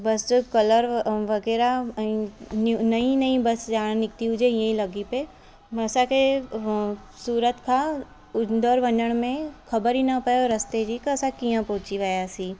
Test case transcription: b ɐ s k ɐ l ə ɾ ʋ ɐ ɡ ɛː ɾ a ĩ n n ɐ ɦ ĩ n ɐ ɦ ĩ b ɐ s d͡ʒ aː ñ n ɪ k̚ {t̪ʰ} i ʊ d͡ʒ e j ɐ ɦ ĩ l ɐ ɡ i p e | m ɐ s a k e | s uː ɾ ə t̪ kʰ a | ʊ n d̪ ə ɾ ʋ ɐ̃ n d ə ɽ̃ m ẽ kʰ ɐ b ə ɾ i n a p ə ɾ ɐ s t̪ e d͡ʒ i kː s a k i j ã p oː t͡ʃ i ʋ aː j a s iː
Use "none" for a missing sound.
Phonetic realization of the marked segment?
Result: t̪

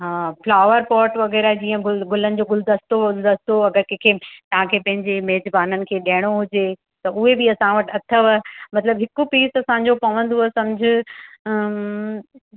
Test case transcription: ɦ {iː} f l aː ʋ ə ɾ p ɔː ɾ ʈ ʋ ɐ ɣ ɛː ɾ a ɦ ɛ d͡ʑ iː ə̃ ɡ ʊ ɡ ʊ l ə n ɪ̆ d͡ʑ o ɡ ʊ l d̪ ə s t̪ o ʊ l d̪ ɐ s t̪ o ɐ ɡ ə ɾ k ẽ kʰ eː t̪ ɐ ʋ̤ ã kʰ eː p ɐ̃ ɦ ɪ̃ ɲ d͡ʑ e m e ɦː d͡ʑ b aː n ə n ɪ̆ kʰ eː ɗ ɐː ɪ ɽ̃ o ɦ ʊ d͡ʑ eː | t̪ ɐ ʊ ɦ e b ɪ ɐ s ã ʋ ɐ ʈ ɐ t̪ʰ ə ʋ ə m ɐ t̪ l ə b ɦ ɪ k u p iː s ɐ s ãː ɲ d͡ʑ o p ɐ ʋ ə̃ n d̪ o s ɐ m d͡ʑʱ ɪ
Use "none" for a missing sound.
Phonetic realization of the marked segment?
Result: aː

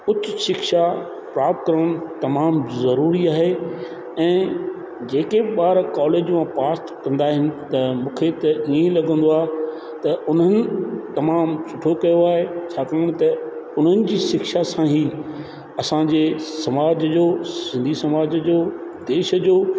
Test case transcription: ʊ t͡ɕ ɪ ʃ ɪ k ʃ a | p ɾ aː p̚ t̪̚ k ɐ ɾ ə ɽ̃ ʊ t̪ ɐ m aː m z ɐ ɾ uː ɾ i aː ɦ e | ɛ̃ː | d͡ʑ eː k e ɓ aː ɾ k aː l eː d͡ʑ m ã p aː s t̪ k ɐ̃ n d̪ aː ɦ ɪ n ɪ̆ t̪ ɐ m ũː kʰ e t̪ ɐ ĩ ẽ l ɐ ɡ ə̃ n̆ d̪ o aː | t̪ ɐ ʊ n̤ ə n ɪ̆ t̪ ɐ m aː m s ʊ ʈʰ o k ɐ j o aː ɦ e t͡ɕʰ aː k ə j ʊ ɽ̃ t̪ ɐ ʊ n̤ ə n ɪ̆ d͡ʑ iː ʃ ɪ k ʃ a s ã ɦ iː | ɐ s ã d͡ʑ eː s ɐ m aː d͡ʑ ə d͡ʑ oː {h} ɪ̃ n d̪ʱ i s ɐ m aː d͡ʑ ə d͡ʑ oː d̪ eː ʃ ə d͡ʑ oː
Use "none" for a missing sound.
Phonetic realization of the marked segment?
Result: s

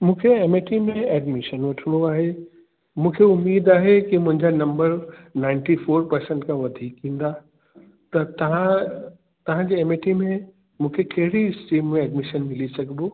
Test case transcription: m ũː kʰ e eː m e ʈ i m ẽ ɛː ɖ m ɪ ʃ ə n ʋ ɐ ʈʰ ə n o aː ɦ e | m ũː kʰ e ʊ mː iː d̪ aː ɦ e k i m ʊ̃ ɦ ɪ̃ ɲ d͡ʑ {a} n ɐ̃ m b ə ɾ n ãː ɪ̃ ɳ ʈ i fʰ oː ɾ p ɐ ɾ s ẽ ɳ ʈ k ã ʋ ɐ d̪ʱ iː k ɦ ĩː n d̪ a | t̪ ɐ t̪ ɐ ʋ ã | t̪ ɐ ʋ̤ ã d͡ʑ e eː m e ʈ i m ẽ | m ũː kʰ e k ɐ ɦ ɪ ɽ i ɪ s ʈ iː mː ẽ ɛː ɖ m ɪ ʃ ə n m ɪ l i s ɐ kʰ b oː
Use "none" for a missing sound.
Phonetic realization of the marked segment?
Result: a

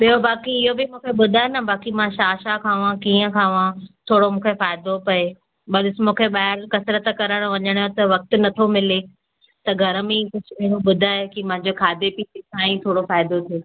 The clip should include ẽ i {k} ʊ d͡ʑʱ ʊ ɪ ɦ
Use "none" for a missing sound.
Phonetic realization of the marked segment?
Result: k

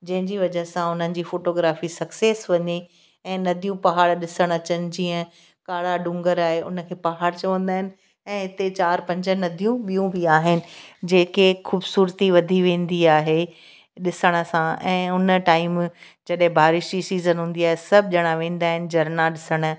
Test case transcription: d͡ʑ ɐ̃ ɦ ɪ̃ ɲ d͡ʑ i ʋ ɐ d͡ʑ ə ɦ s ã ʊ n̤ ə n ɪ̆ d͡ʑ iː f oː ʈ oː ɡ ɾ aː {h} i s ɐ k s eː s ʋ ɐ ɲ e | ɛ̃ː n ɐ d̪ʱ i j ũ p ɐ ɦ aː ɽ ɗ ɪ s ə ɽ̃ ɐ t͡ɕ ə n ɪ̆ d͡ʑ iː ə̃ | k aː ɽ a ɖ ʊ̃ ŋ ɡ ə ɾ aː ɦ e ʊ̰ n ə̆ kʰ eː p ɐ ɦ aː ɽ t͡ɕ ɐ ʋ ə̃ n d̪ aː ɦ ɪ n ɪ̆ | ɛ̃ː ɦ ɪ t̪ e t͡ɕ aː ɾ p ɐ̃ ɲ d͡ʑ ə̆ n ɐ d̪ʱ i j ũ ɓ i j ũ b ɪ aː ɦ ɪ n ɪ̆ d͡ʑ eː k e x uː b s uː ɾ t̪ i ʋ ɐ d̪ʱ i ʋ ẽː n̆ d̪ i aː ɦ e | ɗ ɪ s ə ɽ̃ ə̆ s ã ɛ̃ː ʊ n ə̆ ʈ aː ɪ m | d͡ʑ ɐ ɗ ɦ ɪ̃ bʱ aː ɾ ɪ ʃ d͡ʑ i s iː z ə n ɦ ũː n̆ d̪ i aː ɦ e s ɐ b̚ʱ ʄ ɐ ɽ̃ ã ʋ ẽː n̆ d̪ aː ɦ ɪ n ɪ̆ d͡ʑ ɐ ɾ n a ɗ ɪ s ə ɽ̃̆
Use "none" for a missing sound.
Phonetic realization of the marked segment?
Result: f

